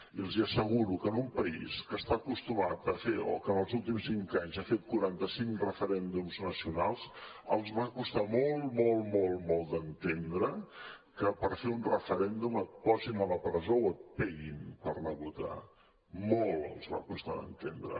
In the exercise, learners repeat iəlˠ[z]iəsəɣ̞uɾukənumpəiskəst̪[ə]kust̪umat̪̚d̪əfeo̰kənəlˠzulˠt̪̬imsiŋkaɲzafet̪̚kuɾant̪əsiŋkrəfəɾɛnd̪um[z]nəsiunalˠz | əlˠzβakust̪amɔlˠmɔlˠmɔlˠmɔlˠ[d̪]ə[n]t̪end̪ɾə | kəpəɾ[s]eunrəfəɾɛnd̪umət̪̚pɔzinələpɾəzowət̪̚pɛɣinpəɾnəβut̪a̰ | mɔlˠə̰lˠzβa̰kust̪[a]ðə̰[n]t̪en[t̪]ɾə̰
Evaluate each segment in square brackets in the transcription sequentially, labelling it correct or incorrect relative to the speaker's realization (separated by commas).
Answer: correct, incorrect, correct, correct, correct, incorrect, correct, correct, incorrect